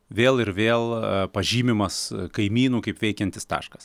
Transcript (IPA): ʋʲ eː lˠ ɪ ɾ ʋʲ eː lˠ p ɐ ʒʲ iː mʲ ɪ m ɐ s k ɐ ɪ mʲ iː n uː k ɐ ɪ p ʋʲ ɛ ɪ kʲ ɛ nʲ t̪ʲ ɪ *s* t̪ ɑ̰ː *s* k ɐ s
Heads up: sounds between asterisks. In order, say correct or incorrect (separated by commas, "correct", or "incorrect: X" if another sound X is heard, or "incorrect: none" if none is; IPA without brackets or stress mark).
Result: correct, incorrect: ʃ